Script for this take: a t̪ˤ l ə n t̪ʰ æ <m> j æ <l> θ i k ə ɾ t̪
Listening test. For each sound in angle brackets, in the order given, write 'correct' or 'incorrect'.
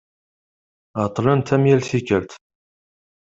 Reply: correct, correct

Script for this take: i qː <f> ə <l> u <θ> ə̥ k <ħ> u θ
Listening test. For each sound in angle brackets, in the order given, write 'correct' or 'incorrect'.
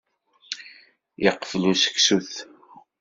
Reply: correct, correct, incorrect, incorrect

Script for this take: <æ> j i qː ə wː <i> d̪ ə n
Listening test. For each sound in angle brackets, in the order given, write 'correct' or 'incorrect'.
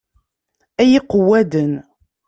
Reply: correct, incorrect

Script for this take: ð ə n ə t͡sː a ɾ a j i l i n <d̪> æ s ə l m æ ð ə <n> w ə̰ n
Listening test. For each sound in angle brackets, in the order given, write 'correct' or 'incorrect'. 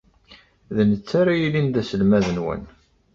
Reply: correct, correct

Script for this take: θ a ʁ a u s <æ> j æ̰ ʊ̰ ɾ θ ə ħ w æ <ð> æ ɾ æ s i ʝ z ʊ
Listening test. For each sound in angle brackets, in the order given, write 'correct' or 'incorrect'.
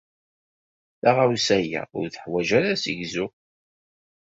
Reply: correct, incorrect

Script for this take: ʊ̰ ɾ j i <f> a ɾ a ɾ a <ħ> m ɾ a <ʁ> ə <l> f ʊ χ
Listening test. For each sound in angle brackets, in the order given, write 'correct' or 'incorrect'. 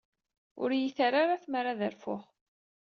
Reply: incorrect, incorrect, incorrect, incorrect

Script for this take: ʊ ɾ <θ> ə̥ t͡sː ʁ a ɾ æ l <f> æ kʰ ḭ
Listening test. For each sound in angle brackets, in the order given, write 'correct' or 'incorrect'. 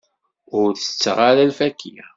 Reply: correct, correct

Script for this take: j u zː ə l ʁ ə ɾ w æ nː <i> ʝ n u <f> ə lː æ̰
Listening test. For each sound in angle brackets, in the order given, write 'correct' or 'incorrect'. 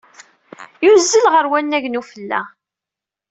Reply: incorrect, correct

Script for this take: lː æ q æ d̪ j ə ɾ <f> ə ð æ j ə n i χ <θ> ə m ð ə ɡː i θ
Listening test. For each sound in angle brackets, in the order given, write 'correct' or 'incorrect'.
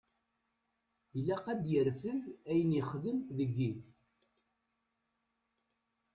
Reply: correct, incorrect

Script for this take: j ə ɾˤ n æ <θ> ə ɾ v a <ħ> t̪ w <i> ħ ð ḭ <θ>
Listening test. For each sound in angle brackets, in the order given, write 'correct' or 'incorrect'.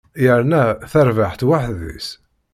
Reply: correct, correct, incorrect, incorrect

